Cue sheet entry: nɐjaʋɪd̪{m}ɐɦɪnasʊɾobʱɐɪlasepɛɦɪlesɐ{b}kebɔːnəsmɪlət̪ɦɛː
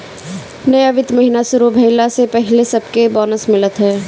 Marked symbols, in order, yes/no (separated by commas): yes, yes